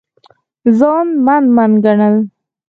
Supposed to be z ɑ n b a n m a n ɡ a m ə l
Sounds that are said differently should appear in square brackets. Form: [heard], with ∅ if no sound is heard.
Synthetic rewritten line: z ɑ n [m] a n m a n ɡ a [ɳ] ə l